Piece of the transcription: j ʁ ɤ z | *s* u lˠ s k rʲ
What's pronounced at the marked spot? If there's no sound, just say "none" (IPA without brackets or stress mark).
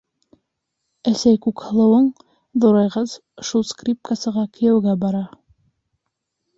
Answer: ʃ